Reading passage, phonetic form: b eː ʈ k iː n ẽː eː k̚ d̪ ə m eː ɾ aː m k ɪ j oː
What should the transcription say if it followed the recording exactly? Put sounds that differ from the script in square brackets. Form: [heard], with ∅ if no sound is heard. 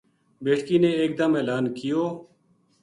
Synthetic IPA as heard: b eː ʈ k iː n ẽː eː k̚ d̪ ə m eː [l] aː [n] k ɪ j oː